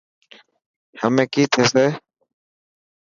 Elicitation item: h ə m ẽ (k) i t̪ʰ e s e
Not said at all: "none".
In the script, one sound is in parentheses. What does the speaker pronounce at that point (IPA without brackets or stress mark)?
k